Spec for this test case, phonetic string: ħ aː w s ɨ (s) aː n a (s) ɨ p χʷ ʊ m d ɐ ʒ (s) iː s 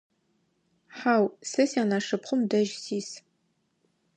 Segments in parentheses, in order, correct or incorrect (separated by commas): correct, incorrect, correct